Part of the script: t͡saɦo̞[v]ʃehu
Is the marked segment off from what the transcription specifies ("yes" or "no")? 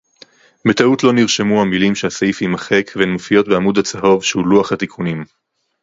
no